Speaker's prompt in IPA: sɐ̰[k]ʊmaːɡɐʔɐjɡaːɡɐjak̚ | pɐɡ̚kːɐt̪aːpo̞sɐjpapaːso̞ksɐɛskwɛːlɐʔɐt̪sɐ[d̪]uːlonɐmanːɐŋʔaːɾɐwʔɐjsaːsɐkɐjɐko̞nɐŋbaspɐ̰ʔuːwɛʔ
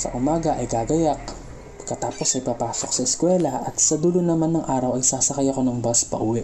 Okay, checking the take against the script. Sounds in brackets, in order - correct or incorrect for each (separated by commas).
incorrect, correct